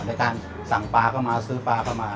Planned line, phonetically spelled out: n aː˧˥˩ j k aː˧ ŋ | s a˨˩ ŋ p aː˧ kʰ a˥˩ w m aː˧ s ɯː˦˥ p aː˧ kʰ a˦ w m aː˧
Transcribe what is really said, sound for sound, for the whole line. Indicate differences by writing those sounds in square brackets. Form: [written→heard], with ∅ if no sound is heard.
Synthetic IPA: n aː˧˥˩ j k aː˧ [ŋ→n] | s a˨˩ ŋ p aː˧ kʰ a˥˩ w m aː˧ s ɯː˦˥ p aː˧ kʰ [a˦→a˥˩] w m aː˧